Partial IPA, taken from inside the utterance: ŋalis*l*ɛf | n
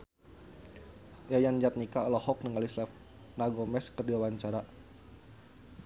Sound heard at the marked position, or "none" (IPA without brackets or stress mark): l